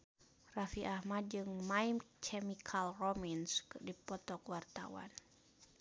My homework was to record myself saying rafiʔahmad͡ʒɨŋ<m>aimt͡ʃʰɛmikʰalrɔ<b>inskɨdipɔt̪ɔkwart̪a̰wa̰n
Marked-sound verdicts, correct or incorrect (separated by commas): correct, incorrect